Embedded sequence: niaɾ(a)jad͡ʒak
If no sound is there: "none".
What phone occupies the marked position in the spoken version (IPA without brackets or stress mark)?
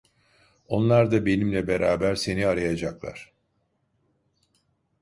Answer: a